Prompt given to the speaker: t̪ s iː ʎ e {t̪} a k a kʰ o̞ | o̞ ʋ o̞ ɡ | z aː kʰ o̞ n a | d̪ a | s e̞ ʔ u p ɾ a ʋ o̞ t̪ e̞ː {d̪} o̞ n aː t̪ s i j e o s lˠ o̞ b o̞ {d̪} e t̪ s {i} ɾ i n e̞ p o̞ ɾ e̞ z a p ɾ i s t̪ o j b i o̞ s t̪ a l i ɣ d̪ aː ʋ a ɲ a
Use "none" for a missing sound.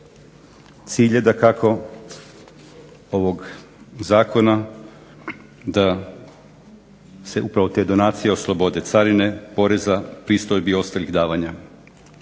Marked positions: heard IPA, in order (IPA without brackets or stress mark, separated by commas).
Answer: d̪, d̪, d̪, a